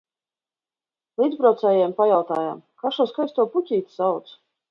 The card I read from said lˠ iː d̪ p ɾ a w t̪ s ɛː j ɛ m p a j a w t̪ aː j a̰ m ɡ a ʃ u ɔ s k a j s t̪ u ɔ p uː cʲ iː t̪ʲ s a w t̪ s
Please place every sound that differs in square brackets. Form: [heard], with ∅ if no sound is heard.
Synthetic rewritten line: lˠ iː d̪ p ɾ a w t̪ s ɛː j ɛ m p a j a w t̪ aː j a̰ m [k] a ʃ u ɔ s k a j s t̪ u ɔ p [u] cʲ iː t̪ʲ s a w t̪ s